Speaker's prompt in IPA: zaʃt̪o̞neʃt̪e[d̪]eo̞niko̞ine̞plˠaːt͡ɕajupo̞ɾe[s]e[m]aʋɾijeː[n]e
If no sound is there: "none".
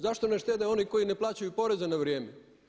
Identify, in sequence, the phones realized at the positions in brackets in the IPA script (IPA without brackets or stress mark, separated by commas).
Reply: d̪, z, n, m